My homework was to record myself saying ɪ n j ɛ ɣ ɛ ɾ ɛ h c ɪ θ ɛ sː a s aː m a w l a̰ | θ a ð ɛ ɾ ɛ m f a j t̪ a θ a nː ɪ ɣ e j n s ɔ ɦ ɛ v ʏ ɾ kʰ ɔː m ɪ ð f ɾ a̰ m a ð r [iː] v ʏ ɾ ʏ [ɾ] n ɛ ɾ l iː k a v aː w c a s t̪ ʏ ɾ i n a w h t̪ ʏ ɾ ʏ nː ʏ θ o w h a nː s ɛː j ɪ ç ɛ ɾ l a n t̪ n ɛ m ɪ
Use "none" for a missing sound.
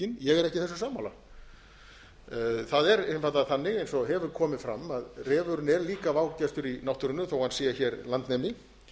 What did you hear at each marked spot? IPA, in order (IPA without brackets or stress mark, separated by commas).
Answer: ɛː, none